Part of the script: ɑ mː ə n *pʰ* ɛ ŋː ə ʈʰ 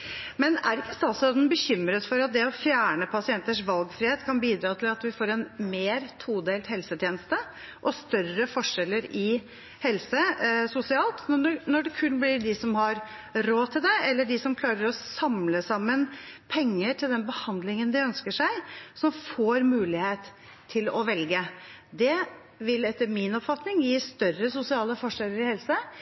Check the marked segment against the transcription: correct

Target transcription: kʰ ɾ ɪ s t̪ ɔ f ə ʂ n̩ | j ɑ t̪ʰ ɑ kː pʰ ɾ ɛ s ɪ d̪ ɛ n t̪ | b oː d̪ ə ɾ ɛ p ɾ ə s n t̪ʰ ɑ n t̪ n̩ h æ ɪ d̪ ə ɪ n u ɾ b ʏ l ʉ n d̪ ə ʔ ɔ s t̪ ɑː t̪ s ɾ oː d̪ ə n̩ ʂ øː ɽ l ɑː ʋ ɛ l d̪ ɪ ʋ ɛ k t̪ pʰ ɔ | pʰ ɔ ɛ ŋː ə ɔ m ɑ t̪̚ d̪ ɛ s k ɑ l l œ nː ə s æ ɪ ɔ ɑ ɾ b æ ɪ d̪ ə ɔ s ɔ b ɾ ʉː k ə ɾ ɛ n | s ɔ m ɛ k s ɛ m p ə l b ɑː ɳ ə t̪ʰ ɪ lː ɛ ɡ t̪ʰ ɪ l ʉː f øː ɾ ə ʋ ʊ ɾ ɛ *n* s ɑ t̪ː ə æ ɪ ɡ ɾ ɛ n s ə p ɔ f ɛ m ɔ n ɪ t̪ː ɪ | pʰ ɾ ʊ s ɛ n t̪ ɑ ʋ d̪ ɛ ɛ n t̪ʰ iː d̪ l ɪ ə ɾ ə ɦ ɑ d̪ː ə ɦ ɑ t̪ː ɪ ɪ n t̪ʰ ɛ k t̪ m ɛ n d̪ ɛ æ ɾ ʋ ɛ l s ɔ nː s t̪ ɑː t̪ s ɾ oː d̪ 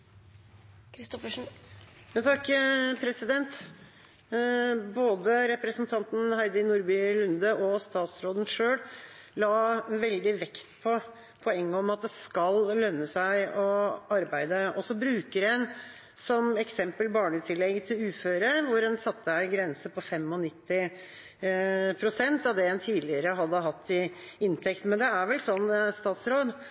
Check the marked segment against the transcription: correct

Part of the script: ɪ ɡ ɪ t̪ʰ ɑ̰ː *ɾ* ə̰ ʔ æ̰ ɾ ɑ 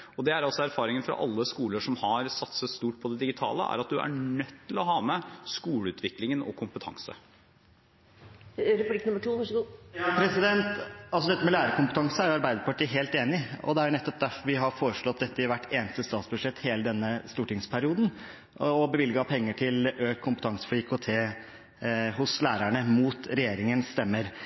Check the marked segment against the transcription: incorrect: l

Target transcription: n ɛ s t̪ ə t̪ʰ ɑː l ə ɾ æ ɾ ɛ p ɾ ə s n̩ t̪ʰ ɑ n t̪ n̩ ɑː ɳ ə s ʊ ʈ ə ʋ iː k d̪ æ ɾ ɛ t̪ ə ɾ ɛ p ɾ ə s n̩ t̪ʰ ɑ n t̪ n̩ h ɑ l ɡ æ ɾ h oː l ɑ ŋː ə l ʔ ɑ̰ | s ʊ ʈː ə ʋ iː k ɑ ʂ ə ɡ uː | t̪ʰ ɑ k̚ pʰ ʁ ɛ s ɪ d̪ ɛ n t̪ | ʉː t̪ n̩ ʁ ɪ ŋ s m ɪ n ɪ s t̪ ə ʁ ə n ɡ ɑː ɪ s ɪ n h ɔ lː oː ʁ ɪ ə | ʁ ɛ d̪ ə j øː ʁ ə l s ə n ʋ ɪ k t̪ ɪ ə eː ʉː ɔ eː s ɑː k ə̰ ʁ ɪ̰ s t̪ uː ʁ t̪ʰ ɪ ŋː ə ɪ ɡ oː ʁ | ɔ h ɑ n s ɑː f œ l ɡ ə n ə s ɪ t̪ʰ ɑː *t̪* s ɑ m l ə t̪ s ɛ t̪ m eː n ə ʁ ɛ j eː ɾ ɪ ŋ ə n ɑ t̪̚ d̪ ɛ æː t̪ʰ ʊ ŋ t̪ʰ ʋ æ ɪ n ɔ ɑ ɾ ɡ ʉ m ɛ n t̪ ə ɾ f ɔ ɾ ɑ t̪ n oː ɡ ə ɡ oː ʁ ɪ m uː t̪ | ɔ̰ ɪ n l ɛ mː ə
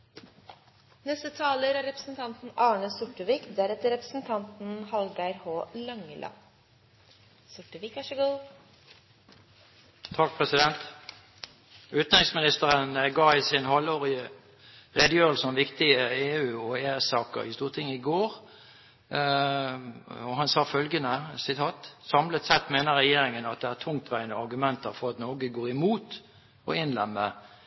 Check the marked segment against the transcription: correct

